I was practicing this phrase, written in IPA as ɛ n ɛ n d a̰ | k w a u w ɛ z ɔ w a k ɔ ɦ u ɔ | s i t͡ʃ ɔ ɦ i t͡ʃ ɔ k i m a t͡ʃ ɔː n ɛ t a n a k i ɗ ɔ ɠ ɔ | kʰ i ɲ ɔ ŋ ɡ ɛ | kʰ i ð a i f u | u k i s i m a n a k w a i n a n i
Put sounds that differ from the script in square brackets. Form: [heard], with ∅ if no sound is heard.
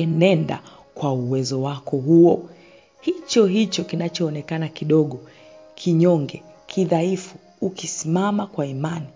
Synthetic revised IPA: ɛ n ɛ n d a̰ | k w a u w ɛ z ɔ w a k ɔ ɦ u ɔ | [h] i t͡ʃ ɔ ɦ i t͡ʃ ɔ k i [n] a t͡ʃ ɔː n ɛ [k] a n a k i ɗ ɔ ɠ ɔ | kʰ i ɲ ɔ ŋ ɡ ɛ | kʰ i ð a i f u | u k i s i m a [m] a k w a i [m] a n i